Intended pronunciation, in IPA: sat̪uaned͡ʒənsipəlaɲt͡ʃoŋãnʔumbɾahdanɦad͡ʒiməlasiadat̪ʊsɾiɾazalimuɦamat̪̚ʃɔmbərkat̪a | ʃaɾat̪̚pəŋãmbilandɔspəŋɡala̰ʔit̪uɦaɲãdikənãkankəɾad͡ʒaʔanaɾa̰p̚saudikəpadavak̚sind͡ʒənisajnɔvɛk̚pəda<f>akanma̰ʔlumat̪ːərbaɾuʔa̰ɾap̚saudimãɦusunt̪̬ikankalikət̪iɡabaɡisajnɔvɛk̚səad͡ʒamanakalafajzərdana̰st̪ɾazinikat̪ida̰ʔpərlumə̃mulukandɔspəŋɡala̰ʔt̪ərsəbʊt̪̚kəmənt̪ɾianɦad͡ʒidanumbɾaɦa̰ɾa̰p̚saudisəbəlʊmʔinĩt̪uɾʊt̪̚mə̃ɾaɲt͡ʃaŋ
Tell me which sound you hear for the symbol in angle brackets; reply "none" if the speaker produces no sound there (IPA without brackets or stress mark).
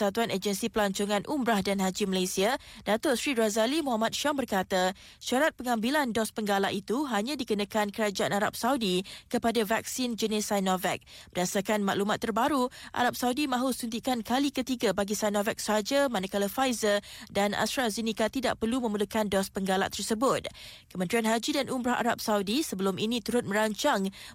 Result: s